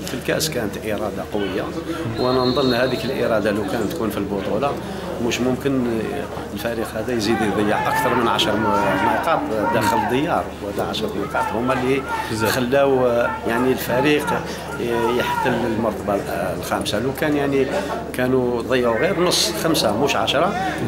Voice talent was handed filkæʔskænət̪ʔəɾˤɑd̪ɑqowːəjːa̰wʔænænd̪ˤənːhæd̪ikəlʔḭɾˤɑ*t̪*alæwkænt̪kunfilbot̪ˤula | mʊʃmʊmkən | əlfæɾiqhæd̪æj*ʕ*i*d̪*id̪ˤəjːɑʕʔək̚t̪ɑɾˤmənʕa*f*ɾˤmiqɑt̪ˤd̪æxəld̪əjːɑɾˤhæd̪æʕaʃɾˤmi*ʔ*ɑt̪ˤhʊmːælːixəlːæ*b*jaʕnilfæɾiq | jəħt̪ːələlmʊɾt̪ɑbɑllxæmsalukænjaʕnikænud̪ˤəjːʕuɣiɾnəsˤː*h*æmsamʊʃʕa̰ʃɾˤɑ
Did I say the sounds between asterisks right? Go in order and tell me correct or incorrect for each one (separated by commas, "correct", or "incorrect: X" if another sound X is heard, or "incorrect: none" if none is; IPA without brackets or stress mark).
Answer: incorrect: d̪, incorrect: z, correct, incorrect: ʃ, incorrect: q, incorrect: w, incorrect: x